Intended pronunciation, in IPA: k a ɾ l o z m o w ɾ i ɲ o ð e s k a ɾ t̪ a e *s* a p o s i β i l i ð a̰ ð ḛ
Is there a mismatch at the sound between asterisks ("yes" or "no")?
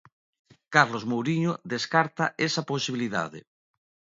no